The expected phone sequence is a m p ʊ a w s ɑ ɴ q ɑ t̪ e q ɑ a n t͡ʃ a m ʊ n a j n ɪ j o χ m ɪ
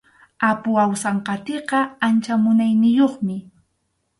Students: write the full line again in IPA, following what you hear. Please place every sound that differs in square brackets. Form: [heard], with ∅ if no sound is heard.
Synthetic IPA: a [∅] p ʊ a w s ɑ ɴ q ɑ t̪ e q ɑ a n t͡ʃ a m ʊ n a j n ɪ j o χ m ɪ